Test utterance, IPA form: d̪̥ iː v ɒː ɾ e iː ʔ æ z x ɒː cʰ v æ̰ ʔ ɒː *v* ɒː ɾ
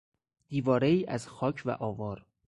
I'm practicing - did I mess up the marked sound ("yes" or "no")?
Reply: no